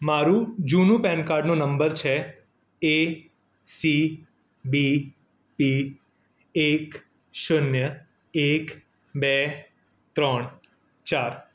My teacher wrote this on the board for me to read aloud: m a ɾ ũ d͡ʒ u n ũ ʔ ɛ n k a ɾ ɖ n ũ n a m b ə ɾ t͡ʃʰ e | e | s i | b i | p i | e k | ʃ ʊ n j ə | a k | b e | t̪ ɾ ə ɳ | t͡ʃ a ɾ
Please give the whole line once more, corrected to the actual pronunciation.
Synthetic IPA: m a ɾ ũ d͡ʒ u n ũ p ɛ n k a ɾ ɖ n ũ n ə m b ə ɾ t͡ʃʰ e | e | s i | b i | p i | e k | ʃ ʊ n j ə | e k | b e | t̪ ɾ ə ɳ | t͡ʃ a ɾ